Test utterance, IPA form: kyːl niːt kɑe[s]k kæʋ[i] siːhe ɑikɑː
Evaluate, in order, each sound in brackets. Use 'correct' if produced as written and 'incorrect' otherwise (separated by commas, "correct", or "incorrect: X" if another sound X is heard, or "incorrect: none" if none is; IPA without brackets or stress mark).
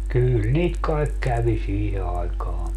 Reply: incorrect: none, correct